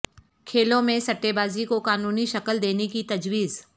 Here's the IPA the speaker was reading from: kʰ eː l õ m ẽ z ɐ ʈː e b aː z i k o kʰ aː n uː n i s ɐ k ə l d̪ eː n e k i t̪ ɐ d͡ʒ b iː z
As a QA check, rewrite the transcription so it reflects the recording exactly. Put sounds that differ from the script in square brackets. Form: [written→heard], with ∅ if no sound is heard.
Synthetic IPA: kʰ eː l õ m ẽ [z→s] ɐ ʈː e b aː z i k o [kʰ→k] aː n uː n i [s→ʃ] ɐ k ə l d̪ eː n e k i t̪ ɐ d͡ʒ [b→w] iː z